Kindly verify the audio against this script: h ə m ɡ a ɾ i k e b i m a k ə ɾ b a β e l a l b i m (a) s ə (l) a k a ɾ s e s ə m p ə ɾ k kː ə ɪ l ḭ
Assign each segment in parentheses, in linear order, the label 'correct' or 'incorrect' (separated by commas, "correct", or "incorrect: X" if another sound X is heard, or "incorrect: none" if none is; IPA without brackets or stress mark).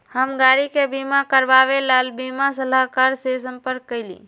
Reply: correct, correct